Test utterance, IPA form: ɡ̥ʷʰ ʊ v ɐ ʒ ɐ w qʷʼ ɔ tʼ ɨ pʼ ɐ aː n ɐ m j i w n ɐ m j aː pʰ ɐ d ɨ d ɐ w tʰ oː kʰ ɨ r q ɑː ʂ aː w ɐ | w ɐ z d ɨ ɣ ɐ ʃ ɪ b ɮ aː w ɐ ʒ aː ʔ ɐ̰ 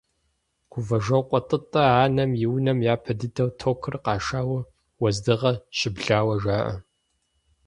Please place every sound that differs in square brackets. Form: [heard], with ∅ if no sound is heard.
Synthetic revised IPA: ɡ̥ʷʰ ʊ v ɐ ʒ ɐ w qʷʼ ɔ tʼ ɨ [tʼ] ɐ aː n ɐ m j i w n ɐ m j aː pʰ ɐ d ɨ d ɐ w tʰ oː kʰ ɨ r q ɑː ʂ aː w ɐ | w ɐ z d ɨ [ʁ] ɐ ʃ ɪ b ɮ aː w ɐ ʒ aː ʔ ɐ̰